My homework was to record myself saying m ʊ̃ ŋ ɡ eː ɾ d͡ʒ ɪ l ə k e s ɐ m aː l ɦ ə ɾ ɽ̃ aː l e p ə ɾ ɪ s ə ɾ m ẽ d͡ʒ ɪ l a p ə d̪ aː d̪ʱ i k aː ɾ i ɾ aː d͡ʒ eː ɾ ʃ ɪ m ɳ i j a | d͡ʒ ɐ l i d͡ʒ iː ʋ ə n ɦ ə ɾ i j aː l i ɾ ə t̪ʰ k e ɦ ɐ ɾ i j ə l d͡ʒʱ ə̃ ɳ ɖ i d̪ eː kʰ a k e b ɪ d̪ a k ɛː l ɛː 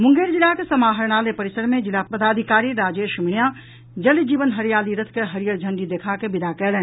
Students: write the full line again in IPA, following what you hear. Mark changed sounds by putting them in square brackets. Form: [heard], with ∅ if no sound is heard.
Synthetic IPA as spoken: m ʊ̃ ŋ ɡ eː ɾ d͡ʒ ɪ l [a] k e s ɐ m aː [∅] ɦ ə ɾ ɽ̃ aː l e p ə ɾ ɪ s ə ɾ m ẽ d͡ʒ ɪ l a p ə d̪ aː d̪ʱ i k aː ɾ i ɾ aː d͡ʒ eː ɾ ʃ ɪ m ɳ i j a | d͡ʒ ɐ l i d͡ʒ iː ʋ ə n ɦ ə ɾ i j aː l i ɾ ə t̪ʰ k e ɦ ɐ ɾ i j ə [ɾ] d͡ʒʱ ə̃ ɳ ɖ i d̪ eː kʰ a k e b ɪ d̪ a k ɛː l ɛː